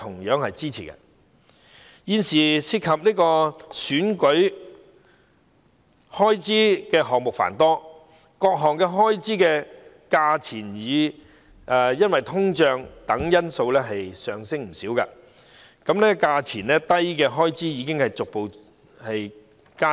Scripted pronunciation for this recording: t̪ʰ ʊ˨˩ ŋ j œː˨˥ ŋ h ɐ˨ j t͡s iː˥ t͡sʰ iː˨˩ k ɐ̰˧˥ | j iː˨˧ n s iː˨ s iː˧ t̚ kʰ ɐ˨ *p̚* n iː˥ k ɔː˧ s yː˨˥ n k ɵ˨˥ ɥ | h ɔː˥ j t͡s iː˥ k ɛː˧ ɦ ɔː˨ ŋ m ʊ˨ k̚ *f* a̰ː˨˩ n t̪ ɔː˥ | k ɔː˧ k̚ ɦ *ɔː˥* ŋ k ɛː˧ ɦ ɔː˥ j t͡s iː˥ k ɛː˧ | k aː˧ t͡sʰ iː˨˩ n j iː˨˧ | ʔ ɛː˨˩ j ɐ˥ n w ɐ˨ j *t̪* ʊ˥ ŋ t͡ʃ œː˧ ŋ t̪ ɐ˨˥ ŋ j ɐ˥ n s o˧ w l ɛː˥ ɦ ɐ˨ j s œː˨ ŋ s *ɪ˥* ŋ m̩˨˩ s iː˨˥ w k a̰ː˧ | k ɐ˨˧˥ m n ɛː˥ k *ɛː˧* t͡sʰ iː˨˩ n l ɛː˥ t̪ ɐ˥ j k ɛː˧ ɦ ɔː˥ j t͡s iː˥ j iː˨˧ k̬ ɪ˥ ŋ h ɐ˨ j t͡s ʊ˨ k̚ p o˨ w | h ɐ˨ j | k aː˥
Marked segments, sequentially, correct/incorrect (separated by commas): correct, correct, incorrect, incorrect, correct, incorrect